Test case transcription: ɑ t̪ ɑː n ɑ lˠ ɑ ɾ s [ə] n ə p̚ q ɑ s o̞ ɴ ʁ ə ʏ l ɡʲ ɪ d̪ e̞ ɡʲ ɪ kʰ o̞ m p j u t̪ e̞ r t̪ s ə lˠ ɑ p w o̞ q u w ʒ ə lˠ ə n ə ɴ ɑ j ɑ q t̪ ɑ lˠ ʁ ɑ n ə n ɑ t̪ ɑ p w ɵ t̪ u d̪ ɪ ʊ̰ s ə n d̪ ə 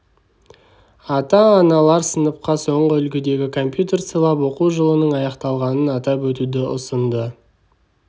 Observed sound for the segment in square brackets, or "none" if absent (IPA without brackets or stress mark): ə